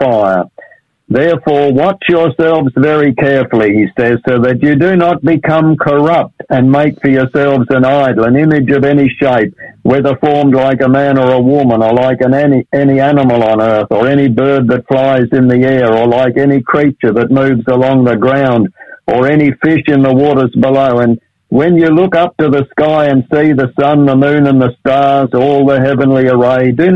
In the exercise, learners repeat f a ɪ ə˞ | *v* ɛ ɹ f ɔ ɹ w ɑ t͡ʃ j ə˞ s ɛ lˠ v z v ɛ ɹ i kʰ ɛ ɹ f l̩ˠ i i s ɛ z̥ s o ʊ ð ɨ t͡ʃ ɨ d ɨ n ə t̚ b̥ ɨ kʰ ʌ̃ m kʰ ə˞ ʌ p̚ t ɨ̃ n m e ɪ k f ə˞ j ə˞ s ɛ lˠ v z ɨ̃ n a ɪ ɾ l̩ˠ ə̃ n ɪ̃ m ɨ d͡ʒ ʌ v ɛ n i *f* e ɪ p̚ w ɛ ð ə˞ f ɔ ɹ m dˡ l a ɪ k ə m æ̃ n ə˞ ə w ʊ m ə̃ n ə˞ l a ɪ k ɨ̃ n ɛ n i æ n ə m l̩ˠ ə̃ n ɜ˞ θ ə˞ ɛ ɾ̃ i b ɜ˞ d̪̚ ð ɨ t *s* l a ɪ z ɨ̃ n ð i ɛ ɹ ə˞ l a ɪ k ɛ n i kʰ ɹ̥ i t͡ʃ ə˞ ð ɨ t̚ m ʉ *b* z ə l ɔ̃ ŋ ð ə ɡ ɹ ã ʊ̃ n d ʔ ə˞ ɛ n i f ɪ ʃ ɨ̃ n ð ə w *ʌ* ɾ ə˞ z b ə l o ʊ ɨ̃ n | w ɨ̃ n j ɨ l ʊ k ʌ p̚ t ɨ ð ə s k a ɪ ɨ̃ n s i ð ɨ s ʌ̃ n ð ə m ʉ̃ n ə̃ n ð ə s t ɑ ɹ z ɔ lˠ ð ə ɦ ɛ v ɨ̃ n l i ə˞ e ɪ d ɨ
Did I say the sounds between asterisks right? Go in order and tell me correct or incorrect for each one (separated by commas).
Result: incorrect, incorrect, incorrect, incorrect, incorrect